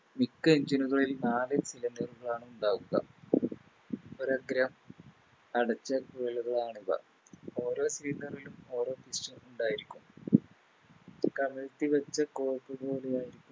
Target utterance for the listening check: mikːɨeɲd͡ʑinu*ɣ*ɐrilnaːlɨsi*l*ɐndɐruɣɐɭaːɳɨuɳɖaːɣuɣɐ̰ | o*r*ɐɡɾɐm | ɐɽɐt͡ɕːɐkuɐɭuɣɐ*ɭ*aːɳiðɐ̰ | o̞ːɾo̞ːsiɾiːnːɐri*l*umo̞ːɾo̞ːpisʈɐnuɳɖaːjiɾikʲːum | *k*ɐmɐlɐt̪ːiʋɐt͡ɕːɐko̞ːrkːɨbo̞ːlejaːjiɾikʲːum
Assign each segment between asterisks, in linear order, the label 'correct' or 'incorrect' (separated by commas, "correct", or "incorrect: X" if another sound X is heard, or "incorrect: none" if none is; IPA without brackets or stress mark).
correct, correct, incorrect: ɾ, correct, correct, correct